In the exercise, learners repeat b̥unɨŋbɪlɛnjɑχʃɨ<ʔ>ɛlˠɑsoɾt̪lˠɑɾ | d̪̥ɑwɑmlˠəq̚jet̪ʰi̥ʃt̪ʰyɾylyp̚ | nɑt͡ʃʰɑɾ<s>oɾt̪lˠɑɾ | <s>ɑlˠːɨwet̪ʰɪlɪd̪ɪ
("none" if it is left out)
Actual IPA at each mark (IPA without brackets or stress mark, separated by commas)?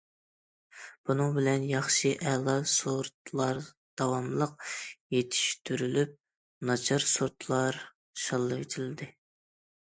ʔ, s, ʃ